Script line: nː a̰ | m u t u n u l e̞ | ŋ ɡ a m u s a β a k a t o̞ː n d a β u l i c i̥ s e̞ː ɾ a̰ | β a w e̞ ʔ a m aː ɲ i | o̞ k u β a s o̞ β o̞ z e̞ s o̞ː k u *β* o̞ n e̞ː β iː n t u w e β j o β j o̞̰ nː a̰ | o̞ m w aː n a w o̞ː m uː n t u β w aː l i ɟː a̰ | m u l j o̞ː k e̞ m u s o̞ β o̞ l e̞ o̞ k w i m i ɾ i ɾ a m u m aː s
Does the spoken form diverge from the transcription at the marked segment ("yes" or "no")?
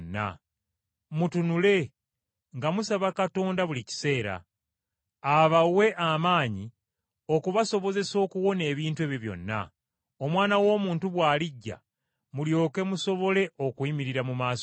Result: yes